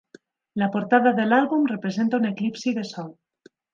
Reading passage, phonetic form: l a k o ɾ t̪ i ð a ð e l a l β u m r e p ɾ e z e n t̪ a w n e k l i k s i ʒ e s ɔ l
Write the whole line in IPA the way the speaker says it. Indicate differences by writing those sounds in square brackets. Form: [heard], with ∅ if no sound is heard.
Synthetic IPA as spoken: l a [p] o ɾ t̪ [a] ð a ð e l a l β u m r e p ɾ e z e n t̪ a [u] n e k l i [p] s i [ð] e s ɔ l